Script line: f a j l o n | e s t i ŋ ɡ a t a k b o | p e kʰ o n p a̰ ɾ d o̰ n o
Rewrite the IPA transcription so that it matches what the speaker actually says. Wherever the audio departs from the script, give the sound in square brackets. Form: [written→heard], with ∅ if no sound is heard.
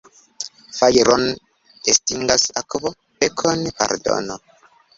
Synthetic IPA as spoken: f a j [l→ɾ] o n | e s t i ŋ ɡ a [t→s] a k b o | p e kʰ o n p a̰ ɾ d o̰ n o